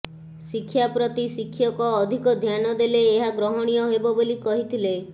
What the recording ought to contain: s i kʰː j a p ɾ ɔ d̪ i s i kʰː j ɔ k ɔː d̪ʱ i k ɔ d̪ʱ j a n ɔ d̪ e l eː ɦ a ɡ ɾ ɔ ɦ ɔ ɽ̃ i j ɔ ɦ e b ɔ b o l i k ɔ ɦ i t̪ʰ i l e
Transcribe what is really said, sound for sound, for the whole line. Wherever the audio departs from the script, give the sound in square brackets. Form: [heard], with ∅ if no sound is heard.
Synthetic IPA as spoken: s i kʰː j a p ɾ ɔ [t̪] i s i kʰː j ɔ k ɔː d̪ʱ i k ɔ d̪ʱ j a n ɔ d̪ e l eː ɦ a ɡ ɾ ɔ ɦ ɔ ɽ̃ i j ɔ ɦ e b ɔ b o l i k ɔ ɦ i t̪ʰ i l e